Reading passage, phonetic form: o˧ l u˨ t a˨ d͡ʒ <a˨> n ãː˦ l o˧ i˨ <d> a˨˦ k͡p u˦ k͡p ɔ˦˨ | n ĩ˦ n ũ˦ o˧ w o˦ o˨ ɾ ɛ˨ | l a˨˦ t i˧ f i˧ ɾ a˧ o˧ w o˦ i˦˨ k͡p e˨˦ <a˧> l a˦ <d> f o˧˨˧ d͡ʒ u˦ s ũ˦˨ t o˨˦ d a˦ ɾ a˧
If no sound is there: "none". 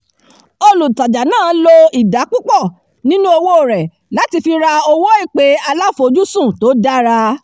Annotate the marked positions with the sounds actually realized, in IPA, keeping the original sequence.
a˨, d, a˧, none

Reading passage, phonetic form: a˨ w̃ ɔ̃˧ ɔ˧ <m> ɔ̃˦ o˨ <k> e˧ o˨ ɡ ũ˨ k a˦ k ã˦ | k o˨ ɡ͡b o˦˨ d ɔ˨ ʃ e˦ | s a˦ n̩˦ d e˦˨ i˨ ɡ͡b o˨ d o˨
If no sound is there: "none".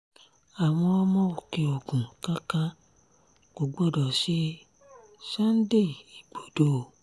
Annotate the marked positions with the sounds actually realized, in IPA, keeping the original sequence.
m, k

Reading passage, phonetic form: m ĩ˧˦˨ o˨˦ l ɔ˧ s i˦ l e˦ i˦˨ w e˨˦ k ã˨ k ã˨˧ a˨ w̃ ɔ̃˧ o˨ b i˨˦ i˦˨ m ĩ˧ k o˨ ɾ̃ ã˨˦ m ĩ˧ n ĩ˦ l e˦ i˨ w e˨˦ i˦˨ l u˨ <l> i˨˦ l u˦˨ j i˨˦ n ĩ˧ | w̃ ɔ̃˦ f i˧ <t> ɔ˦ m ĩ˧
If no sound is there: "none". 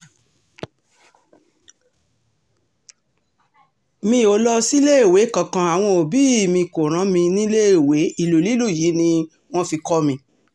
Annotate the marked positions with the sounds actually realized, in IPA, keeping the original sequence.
l, k

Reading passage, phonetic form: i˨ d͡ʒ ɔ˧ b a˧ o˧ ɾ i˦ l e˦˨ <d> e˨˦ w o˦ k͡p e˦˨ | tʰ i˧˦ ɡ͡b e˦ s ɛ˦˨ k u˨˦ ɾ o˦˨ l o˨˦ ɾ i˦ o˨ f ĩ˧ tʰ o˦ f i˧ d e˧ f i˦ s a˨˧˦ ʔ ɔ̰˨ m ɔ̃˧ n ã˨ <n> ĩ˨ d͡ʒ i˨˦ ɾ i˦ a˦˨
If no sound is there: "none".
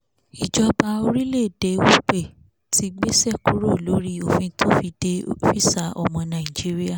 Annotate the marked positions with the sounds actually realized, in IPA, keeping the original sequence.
d, none

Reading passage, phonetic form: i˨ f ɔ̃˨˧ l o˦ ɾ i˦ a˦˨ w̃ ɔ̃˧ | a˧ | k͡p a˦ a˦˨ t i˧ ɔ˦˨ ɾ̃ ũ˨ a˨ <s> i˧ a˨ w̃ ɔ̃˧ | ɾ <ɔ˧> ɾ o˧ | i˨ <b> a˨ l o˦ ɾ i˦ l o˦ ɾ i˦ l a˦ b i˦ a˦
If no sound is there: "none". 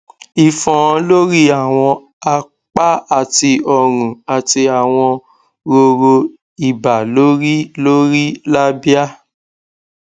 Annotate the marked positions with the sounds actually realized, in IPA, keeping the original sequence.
t, o˧, b

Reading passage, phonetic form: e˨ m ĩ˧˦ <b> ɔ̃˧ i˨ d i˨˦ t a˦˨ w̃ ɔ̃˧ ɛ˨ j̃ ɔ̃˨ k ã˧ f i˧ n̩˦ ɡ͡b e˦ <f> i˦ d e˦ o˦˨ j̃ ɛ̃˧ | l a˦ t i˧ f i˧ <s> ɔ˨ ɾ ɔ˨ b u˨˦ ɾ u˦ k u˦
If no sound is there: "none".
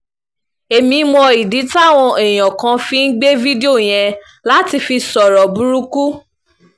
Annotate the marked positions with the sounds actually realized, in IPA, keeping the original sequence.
m, v, s

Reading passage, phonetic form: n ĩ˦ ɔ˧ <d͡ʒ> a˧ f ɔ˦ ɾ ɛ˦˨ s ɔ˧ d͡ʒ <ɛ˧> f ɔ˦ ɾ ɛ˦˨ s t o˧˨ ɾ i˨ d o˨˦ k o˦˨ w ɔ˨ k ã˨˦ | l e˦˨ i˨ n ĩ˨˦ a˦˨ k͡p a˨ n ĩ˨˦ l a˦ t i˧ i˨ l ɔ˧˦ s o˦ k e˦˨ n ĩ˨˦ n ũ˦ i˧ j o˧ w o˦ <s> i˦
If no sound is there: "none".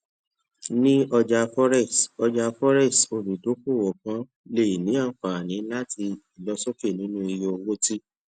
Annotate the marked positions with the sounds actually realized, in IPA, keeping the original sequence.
d͡ʒ, a˧, t

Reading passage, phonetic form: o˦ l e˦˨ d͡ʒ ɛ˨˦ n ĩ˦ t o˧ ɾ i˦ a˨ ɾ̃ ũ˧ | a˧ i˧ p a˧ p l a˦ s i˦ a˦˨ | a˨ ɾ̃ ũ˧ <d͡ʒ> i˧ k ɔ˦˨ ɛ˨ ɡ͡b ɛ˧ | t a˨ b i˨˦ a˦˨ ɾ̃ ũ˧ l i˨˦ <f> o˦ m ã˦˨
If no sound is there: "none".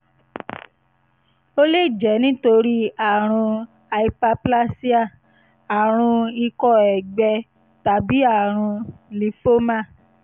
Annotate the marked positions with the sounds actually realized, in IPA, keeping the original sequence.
none, f

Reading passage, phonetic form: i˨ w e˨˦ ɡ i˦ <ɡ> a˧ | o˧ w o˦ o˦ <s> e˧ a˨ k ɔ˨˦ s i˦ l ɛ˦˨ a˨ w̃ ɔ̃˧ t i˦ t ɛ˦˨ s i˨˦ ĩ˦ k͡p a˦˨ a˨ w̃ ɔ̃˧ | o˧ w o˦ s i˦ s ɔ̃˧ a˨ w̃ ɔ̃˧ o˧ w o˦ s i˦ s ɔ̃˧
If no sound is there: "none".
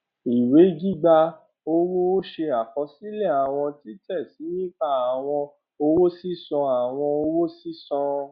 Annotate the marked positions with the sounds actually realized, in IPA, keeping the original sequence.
ɡ͡b, ʃ

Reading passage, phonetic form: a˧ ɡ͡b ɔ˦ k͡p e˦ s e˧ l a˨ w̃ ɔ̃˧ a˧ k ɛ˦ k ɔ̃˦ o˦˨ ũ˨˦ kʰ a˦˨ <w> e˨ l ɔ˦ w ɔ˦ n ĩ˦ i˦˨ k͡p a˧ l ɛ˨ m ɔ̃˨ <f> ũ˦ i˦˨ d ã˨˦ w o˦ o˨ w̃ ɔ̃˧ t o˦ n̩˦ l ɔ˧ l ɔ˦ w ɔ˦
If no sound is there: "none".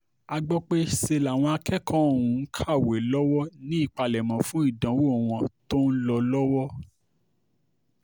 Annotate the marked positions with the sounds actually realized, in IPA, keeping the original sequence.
w, f

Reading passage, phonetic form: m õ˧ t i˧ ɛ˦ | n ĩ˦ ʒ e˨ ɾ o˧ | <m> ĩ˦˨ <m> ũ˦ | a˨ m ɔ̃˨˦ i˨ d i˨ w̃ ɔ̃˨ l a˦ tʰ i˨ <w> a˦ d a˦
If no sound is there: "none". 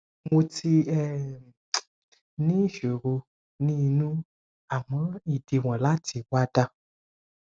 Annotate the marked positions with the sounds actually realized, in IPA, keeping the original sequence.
n, n, w

